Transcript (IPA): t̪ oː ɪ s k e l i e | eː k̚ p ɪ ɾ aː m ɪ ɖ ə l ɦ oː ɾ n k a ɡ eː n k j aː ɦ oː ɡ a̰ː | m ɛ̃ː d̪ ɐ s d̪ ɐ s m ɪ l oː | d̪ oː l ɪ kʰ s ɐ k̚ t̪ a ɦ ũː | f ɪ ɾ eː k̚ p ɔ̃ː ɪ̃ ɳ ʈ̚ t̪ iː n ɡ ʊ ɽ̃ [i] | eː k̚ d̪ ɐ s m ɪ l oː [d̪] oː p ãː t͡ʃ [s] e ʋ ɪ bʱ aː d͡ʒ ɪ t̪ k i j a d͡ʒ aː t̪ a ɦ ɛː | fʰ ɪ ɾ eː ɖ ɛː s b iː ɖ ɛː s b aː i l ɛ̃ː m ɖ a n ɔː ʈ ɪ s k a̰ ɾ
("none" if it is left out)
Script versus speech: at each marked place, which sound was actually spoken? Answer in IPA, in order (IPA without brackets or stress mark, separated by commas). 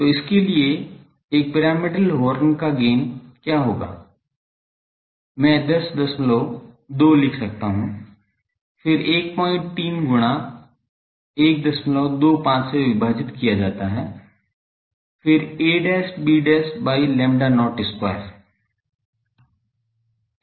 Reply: a, d̪, s